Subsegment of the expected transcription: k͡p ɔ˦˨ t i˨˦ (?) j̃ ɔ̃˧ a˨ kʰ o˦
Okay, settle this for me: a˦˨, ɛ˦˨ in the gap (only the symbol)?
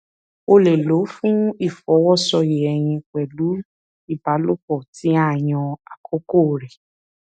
a˦˨